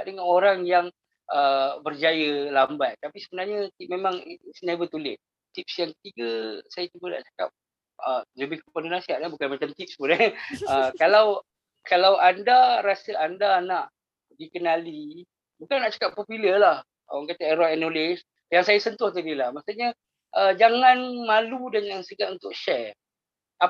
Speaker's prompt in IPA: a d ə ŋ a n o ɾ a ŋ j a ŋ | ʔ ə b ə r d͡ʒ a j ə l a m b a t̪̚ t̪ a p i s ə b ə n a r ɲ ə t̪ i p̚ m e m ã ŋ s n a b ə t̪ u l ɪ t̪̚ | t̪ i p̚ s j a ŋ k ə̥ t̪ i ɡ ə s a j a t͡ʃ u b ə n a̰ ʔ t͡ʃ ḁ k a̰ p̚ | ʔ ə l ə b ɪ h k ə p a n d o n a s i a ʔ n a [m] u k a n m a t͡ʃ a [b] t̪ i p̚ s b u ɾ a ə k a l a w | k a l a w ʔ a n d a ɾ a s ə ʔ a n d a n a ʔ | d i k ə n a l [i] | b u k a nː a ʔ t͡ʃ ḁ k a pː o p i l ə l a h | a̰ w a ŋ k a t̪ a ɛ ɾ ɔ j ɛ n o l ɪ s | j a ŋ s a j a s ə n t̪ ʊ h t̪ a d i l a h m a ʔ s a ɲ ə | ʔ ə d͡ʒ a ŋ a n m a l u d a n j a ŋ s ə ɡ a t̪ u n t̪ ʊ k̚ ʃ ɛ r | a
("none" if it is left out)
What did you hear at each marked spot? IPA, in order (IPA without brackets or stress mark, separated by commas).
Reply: b, m, i